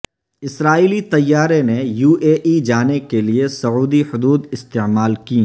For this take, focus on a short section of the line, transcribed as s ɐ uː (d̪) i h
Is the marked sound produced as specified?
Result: yes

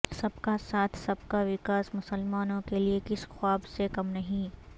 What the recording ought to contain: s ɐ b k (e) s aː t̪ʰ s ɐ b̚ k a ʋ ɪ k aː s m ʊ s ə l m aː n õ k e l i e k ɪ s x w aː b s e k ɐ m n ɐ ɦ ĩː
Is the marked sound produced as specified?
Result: no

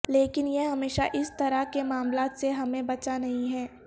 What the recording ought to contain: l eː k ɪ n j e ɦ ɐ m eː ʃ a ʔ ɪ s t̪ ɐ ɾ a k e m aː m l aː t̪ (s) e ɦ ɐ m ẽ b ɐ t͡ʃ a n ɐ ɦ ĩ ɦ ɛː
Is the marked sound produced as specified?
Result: yes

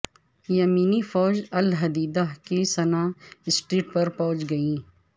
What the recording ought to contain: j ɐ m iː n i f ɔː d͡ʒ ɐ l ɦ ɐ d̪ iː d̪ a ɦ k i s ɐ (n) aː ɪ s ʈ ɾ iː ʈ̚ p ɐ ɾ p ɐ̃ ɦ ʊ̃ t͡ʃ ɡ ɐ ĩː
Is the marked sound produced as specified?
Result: yes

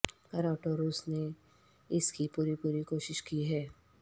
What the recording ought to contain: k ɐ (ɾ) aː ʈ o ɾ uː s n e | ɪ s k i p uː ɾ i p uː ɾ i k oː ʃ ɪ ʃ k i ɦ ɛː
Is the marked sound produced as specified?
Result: yes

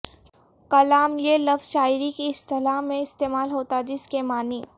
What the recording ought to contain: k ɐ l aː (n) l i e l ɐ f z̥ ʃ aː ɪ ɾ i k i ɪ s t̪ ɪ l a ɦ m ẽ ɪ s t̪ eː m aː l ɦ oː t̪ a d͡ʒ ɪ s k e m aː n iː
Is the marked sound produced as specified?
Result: no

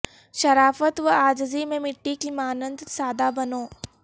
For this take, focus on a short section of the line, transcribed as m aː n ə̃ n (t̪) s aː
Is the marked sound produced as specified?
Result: no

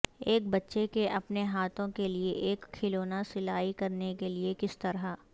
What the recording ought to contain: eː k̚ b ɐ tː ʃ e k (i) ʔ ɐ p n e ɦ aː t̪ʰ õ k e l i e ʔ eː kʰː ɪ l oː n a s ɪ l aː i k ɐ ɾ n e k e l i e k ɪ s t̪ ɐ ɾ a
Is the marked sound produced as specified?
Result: no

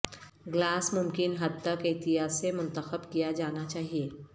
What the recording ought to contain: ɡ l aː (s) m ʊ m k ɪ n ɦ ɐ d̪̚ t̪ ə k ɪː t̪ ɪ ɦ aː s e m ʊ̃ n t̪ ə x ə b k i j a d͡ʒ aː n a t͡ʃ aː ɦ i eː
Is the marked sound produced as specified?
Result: yes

